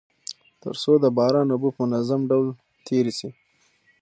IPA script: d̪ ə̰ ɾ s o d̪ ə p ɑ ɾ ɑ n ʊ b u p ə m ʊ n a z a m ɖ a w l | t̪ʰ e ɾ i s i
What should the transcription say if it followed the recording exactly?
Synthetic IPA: t̪ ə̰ ɾ s o d̪ ə b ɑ ɾ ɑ n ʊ b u p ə m ʊ n a z a m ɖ a w l | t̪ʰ e ɾ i s i